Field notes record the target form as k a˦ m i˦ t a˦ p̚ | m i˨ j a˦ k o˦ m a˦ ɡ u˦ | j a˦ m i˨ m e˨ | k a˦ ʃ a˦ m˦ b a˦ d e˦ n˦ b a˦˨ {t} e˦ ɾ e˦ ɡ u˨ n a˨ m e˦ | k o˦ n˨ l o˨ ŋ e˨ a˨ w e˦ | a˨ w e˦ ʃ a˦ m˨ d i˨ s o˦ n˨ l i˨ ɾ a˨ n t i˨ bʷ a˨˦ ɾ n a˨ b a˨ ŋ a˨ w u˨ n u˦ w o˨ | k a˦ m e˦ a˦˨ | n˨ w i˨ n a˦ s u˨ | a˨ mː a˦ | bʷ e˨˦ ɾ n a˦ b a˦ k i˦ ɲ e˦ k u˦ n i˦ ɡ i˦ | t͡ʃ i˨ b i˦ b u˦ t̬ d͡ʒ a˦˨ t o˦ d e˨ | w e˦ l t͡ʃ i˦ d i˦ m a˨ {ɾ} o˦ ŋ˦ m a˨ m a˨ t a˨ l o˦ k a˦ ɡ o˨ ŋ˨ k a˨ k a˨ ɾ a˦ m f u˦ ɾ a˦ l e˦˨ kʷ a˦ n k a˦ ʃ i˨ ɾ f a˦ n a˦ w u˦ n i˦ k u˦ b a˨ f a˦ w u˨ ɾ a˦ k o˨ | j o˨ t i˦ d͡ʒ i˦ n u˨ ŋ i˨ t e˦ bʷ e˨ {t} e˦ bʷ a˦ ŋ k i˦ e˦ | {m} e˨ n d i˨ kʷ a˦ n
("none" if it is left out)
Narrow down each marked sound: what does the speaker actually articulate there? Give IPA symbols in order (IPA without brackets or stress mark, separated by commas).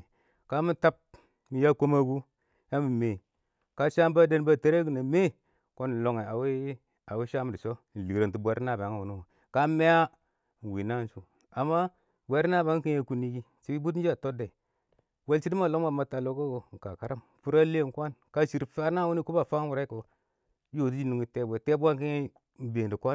t, l, t, b